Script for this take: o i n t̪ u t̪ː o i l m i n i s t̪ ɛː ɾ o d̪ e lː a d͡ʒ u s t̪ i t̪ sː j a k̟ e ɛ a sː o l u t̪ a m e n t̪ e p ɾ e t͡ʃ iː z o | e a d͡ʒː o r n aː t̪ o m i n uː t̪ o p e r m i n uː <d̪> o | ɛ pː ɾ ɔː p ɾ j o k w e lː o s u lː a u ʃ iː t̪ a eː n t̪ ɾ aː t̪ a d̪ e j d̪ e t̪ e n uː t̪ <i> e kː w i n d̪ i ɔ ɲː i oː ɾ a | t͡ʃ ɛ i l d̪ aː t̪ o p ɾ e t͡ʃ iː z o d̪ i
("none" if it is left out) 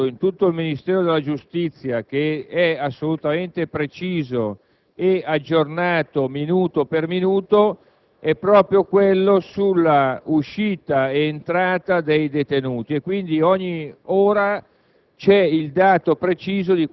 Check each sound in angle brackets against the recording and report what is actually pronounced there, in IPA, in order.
t̪, i

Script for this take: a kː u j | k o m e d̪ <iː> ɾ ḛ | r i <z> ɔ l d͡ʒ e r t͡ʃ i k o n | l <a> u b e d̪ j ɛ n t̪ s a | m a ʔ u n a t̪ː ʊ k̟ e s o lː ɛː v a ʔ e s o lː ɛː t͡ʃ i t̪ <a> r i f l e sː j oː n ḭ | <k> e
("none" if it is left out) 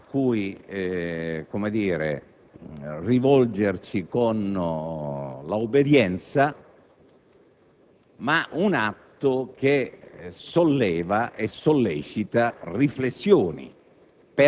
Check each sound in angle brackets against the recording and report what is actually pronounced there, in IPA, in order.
iː, v, a, a, p

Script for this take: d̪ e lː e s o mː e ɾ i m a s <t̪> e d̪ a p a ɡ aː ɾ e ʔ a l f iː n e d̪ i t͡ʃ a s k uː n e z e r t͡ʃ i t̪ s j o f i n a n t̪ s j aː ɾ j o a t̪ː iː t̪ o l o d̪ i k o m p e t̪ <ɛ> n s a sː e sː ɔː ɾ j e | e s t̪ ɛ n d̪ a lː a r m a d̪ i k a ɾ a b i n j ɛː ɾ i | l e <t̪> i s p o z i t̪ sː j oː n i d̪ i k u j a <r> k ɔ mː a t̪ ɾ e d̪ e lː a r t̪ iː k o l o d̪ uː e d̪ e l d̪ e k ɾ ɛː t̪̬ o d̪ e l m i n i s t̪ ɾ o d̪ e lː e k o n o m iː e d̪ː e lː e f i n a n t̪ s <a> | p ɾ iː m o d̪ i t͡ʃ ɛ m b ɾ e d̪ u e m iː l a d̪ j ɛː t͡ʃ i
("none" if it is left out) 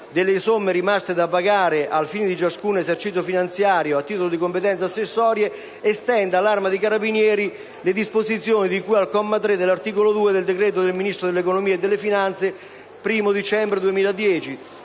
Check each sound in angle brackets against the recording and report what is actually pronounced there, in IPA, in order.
t̪, ɛ, d̪, l, e

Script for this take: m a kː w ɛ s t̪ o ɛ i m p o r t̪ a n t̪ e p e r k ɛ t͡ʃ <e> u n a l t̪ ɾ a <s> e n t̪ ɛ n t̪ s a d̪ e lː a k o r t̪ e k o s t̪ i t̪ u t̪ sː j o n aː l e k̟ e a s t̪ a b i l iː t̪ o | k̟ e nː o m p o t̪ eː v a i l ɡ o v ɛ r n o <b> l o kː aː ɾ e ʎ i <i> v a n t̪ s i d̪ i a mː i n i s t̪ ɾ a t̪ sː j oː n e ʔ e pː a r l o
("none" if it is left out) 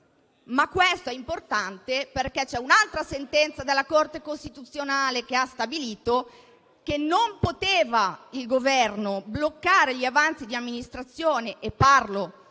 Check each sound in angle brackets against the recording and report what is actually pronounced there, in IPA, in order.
ɛ, s, b, a

